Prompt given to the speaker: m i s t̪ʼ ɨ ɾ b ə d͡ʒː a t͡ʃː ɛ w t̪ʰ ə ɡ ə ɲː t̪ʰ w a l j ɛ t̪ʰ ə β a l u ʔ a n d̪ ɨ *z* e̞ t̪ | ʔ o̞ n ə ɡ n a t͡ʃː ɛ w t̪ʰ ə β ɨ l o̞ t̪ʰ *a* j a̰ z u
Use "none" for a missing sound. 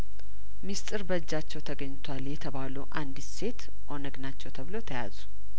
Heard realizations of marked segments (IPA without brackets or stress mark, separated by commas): s, ə